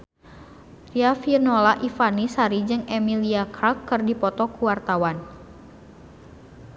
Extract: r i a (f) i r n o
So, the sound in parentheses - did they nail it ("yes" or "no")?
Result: yes